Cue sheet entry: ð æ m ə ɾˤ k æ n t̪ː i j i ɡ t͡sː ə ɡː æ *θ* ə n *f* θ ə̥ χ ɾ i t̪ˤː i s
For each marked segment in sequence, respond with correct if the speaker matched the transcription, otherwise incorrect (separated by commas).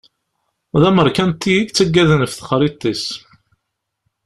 incorrect, correct